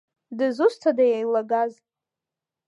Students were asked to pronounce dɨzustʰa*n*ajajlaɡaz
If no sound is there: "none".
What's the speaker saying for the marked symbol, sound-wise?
d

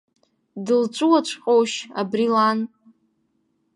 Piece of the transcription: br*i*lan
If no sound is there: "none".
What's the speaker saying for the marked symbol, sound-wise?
i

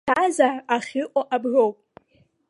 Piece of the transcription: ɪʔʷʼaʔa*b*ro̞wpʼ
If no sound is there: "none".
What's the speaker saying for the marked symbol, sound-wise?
b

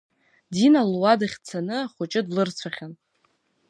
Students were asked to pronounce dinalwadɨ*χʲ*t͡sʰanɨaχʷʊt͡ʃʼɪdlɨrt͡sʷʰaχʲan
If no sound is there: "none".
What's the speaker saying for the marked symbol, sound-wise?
χʲ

